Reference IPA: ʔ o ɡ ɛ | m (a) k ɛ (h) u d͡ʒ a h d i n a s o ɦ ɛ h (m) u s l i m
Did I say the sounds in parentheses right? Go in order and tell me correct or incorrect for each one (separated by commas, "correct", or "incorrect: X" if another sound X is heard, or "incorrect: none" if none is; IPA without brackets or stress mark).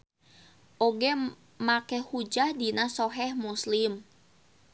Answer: correct, correct, correct